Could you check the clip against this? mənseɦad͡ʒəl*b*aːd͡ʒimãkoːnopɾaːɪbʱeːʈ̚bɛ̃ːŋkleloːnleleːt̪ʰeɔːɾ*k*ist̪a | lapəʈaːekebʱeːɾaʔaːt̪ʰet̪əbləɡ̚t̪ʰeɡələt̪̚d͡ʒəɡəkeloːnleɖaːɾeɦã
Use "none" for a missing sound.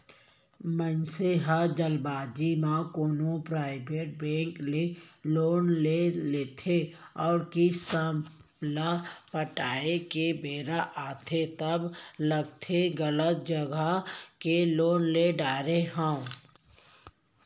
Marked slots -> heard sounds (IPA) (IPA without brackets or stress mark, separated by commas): b, k